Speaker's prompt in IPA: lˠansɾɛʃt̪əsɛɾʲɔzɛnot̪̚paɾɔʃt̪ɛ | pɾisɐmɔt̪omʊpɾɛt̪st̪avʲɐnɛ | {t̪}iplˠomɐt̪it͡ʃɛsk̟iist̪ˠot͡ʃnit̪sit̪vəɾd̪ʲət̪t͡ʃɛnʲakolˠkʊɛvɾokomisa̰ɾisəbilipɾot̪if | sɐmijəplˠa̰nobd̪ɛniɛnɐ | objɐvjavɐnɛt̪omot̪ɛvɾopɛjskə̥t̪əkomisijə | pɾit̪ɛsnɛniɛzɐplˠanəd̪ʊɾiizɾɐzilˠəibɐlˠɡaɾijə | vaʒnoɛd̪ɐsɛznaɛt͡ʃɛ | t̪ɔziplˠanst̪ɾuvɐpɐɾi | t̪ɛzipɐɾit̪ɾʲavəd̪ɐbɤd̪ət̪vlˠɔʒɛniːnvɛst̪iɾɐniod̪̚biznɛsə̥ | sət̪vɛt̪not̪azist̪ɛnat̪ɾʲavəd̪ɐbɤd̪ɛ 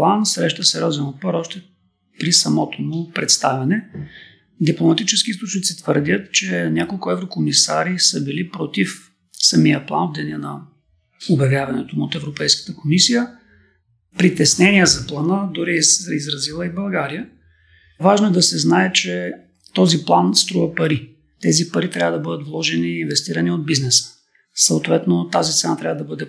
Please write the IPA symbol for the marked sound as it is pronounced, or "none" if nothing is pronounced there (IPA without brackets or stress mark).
d̪